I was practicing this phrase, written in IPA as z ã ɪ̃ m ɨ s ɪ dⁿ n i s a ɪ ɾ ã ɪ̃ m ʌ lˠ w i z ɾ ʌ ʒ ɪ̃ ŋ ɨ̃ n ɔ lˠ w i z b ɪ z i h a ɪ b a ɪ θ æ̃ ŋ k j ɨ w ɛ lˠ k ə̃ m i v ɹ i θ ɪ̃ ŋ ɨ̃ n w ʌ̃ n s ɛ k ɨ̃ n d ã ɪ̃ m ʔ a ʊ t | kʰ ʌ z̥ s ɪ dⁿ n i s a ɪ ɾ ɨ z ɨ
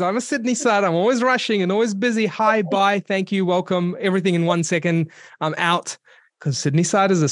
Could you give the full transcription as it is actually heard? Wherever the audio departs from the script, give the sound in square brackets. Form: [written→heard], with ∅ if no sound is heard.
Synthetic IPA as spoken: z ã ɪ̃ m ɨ s ɪ dⁿ n i s a ɪ ɾ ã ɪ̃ m [ʌ→ɔ] lˠ w i z [ɾ→ɹ] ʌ [ʒ→ʃ] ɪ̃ ŋ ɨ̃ n ɔ lˠ w i z b ɪ z i h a ɪ b a ɪ θ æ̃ ŋ k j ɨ w ɛ lˠ k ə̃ m [i→ɛ] v ɹ i θ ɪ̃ ŋ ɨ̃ n w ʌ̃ n s ɛ k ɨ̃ n d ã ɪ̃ m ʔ a ʊ t | kʰ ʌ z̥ s ɪ dⁿ n i s a ɪ ɾ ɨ z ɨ